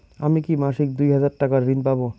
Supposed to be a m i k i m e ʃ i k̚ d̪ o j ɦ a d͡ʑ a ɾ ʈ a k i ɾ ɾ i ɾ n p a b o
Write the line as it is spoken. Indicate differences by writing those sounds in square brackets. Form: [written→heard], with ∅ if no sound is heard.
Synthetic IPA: a m i k i m [e→a] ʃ i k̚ d̪ [o→u] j ɦ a d͡ʑ a ɾ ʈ a k [i→a] ɾ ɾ i [ɾ→∅] n p a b o